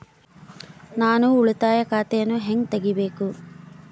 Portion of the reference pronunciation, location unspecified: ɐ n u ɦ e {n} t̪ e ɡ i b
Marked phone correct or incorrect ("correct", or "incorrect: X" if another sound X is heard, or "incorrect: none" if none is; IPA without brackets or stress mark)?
incorrect: ŋ